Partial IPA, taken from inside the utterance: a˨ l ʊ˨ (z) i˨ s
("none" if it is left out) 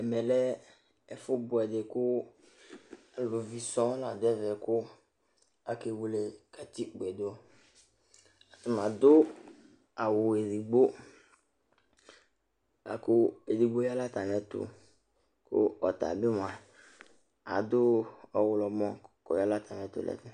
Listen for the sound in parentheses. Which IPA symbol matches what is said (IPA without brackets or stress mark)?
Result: v